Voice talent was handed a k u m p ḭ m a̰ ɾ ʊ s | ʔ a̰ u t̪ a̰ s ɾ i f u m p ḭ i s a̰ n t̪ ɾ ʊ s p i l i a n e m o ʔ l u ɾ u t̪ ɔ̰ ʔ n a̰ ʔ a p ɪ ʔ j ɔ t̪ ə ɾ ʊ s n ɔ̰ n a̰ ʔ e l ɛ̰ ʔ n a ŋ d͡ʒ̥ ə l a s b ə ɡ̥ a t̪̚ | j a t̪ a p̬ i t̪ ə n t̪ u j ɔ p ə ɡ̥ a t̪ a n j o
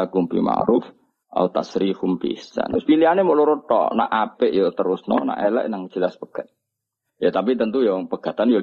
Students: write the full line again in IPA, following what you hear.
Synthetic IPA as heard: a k u m p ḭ m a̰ ɾ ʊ f | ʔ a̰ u t̪ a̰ s ɾ i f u m p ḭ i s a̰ n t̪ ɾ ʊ s p i l i a n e m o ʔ l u ɾ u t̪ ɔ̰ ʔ n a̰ ʔ a p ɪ ʔ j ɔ t̪ ə ɾ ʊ s n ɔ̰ n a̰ ʔ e l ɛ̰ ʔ n a ŋ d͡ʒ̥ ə l a s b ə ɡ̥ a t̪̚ | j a t̪ a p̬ i t̪ ə n t̪ u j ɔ p ə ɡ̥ a t̪ a n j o